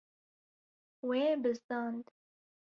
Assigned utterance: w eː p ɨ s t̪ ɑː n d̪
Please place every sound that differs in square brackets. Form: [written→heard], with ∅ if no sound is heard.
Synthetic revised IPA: w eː [p→b] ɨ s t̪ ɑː n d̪